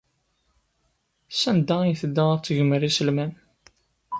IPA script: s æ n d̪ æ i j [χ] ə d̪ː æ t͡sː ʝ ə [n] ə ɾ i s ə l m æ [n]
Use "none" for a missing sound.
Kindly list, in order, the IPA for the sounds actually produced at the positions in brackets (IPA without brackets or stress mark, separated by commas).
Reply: θ, m, n